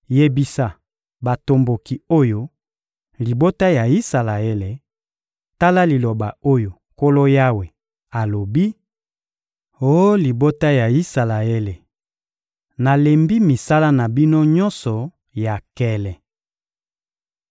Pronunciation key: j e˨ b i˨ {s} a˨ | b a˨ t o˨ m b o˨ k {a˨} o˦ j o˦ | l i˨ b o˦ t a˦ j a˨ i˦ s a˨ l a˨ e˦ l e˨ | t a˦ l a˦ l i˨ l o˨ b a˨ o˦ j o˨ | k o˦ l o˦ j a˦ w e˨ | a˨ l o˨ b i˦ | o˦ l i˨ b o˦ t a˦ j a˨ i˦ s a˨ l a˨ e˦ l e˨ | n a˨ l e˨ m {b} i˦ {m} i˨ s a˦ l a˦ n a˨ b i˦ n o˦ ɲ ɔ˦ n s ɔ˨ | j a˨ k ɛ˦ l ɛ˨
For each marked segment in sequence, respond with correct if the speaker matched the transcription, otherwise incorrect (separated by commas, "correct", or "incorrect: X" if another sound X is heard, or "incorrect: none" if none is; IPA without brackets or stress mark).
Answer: correct, incorrect: i˨, correct, correct